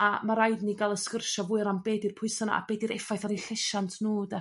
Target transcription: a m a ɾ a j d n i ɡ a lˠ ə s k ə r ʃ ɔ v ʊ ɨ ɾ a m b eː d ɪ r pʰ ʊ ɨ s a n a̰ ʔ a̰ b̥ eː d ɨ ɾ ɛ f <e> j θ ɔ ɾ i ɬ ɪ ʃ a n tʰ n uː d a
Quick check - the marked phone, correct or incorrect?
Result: incorrect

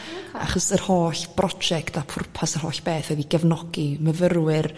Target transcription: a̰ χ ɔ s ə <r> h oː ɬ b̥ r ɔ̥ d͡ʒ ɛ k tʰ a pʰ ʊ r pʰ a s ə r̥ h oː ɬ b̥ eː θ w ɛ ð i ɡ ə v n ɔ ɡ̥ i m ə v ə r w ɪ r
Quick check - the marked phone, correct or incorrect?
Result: correct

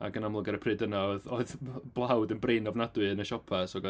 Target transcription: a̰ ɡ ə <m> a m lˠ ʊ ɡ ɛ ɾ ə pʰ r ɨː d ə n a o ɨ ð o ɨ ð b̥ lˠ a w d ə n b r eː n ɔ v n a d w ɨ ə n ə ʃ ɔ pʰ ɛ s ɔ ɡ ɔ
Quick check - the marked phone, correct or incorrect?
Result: incorrect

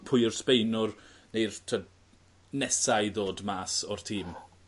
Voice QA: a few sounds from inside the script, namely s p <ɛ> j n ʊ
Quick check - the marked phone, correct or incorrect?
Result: incorrect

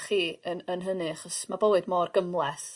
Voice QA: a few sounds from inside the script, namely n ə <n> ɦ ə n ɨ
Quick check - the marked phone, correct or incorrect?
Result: correct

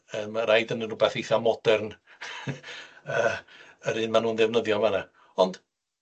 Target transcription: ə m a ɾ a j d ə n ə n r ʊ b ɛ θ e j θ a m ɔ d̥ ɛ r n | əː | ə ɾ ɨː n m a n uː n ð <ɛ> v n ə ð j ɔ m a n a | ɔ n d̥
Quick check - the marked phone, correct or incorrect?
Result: correct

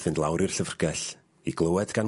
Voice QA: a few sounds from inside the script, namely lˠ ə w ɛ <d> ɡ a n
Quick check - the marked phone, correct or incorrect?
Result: correct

